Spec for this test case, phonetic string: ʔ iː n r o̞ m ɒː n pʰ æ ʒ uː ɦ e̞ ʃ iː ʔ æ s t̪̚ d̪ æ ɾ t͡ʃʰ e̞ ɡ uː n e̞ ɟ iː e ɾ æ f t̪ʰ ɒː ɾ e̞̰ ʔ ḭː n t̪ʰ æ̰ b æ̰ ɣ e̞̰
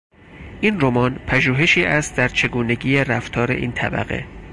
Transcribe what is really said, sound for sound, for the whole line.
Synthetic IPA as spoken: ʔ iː n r o̞ m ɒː n pʰ æ ʒ uː ɦ e̞ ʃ iː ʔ æ s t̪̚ d̪ æ ɾ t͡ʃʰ e̞ ɡ uː n e̞ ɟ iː e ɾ æ f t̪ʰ ɒː ɾ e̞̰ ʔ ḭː n t̪ʰ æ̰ b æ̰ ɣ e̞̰